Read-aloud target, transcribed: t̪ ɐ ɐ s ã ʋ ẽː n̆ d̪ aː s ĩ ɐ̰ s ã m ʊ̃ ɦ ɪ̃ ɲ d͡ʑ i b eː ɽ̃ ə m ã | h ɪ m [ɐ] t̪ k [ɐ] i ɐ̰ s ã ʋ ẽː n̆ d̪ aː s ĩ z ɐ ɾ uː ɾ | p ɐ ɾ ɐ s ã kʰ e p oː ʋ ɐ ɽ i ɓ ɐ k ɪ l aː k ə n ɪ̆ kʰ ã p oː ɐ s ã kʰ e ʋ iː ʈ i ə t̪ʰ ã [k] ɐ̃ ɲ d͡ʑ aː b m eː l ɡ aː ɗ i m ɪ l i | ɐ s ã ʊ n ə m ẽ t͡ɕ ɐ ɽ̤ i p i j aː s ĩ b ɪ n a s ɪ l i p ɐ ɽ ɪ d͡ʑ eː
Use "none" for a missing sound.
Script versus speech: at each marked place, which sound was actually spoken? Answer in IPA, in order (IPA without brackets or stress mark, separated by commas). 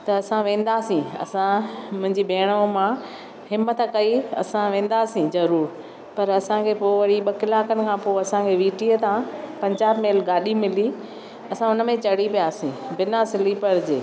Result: ə, ɐ, p